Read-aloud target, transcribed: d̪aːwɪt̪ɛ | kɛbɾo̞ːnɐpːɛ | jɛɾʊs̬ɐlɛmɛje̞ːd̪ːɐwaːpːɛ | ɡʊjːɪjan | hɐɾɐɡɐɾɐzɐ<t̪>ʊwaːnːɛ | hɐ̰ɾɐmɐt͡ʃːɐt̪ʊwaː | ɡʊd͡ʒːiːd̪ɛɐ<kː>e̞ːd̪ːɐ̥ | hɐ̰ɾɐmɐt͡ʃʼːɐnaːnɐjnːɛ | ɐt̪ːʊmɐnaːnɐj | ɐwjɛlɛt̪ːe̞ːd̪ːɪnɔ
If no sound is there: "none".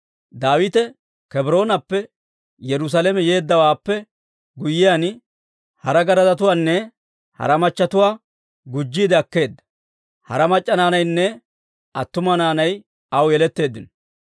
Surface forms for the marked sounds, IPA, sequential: t̪, kː

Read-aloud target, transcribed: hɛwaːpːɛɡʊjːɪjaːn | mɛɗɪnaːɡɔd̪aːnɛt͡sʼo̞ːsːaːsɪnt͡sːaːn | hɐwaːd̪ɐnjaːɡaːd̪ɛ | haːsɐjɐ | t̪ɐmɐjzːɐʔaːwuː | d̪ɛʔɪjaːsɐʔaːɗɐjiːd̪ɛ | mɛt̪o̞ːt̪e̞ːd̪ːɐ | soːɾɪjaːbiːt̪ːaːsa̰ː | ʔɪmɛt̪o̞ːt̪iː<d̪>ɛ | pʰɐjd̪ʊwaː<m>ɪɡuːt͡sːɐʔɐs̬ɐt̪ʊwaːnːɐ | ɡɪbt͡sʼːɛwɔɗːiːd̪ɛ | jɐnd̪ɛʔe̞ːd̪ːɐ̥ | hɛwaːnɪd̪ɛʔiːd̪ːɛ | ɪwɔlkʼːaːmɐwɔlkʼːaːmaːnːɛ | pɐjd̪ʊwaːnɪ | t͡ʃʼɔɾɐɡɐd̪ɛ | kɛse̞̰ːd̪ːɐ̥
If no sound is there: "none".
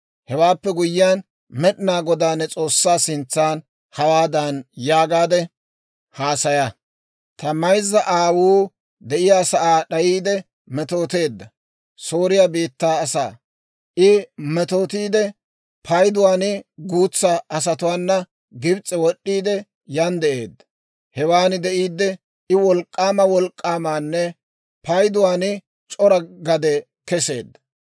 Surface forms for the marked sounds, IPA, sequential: d̪, n

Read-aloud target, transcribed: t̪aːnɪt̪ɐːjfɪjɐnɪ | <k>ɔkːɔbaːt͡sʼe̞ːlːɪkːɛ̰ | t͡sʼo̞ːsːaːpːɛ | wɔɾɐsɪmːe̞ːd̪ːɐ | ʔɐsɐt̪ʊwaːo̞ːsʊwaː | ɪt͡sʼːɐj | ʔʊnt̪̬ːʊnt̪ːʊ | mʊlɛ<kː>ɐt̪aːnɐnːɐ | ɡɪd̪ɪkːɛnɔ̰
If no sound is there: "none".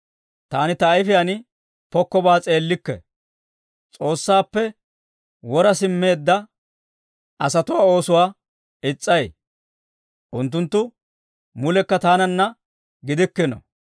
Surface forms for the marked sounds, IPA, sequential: p, kː

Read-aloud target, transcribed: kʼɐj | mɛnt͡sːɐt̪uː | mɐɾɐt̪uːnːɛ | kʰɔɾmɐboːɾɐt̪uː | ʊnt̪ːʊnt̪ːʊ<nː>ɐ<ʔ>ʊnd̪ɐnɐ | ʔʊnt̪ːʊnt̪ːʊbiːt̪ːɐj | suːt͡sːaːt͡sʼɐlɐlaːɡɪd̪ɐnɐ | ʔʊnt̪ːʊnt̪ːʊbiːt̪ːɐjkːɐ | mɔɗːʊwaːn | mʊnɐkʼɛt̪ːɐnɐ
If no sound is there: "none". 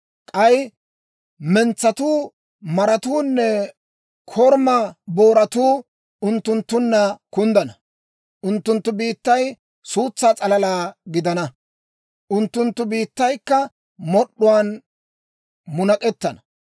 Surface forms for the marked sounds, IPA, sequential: nː, k

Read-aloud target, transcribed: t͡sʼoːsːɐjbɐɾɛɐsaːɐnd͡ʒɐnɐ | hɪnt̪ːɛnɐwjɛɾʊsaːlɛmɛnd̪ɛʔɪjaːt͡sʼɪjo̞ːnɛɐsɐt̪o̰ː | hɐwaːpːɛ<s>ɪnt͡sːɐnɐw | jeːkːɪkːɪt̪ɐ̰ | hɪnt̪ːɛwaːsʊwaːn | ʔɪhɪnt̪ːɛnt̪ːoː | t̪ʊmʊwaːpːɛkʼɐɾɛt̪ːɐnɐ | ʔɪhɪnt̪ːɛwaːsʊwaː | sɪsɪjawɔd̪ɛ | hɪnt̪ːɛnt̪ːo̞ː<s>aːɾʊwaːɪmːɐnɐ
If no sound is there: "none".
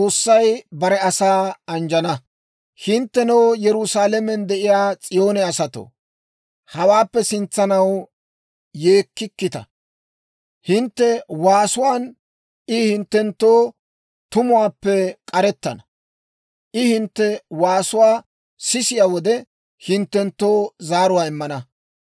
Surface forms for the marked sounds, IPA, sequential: s, z

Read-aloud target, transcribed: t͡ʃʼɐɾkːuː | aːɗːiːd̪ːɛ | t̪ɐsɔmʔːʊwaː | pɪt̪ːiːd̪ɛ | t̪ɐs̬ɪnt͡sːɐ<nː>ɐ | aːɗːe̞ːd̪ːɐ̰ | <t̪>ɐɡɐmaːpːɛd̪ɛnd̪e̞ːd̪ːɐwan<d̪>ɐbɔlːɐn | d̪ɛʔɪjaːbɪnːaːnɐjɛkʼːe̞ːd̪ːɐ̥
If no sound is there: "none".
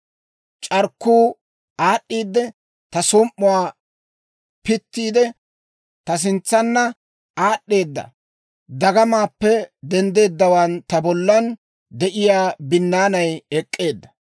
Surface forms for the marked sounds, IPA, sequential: nː, d̪, t̪

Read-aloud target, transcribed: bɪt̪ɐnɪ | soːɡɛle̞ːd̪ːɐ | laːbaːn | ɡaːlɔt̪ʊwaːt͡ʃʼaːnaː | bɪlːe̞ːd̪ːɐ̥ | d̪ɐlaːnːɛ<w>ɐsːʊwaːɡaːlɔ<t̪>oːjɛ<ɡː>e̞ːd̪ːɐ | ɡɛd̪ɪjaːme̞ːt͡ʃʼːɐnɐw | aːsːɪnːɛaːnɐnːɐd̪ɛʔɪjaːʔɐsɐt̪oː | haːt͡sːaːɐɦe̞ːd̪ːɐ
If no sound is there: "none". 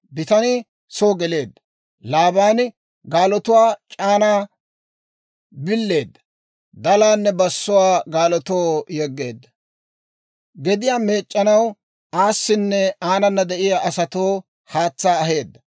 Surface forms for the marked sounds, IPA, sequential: b, t̪, ɡː

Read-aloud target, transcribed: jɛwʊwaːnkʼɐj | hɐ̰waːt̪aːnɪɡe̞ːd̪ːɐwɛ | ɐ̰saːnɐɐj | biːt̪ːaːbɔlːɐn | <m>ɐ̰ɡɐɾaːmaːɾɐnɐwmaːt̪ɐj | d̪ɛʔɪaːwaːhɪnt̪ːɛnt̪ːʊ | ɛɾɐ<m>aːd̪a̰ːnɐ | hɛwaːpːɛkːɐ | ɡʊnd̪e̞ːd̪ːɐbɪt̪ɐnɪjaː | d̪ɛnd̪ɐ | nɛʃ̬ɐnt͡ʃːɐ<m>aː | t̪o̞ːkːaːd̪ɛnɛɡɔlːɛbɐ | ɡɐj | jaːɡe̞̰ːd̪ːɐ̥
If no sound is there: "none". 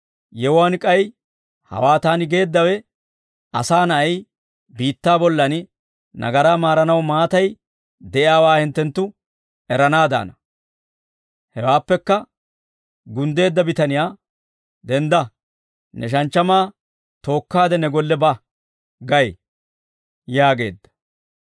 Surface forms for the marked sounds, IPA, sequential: n, n, m

